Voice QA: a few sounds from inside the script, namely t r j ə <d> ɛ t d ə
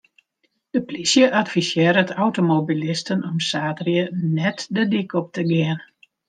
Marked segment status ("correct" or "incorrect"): incorrect